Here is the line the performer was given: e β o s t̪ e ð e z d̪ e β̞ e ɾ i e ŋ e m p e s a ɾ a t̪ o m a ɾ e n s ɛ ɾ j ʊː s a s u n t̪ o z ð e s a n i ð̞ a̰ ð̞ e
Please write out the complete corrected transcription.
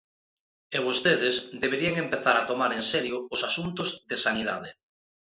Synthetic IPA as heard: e β o s t̪ e ð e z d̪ e β̞ e ɾ i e ŋ e m p e θ a ɾ a t̪ o m a ɾ e n s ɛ ɾ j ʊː s a s u n t̪ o z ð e s a n i ð̞ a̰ ð̞ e